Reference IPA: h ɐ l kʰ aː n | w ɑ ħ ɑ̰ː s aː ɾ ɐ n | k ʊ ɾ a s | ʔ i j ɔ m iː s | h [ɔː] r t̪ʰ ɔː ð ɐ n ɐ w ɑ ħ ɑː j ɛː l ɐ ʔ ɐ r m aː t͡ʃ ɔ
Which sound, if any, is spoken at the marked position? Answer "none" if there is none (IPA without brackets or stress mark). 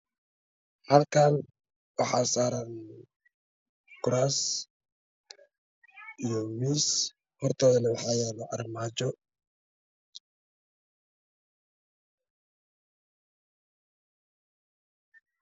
ɔ